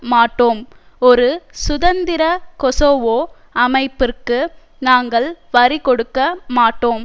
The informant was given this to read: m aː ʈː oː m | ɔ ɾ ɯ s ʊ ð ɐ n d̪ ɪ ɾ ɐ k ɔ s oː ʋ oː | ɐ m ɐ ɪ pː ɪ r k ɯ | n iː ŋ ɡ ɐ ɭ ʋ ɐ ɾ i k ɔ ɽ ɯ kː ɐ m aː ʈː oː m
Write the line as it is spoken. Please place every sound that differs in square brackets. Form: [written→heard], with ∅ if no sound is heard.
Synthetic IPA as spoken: m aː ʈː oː m | ɔ ɾ ɯ s ʊ ð ɐ n d̪ ɪ ɾ ɐ k ɔ s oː ʋ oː | ɐ m ɐ ɪ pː ɪ r k ɯ | n [iː→aː] ŋ ɡ ɐ ɭ ʋ ɐ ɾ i k ɔ ɽ ɯ kː ɐ m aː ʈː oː m